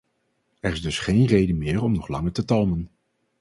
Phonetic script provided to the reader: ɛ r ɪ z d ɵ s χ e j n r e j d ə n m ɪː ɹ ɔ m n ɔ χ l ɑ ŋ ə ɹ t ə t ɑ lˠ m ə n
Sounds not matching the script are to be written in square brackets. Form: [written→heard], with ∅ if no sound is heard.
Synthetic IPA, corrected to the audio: ɛ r ɪ z d ɵ s χ e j n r e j d ə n m ɪː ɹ ɔ m n ɔ χ l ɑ ŋ ə ɹ t ə t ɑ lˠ m ə n